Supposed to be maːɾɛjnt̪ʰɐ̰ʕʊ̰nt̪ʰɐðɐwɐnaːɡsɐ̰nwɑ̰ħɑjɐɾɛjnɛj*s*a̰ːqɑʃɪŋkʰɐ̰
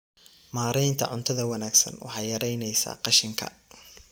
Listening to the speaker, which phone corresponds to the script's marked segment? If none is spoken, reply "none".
s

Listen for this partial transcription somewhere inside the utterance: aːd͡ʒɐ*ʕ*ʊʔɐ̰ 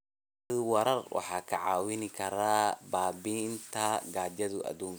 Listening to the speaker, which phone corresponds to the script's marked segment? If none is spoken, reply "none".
ð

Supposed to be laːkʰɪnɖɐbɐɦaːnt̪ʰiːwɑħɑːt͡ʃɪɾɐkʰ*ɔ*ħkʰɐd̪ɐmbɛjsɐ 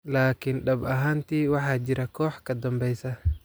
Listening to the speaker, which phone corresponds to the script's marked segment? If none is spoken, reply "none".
ɔː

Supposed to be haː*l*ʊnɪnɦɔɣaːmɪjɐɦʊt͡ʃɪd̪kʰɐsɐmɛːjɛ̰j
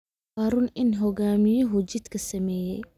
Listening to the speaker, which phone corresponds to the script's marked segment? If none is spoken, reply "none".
ɾ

